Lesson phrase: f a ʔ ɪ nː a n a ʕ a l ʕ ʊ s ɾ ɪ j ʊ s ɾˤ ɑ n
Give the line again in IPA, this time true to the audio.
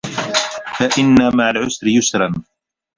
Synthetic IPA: f a ʔ ɪ nː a m a ʕ a l ʕ ʊ s ɾ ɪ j ʊ s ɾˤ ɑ n